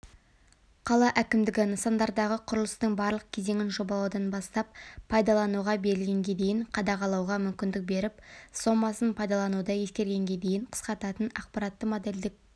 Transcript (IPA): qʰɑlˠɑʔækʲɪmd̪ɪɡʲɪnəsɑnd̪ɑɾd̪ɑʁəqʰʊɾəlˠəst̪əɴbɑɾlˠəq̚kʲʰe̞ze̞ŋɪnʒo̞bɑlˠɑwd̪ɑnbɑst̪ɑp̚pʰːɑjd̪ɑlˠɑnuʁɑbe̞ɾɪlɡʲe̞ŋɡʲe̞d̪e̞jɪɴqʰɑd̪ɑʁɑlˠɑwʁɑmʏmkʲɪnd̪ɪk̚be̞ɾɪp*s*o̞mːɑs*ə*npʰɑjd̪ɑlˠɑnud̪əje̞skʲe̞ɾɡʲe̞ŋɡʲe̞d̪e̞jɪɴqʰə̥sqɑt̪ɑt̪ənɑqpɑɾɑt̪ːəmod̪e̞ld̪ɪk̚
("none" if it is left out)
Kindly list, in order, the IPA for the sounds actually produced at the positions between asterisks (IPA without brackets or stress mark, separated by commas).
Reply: s, ə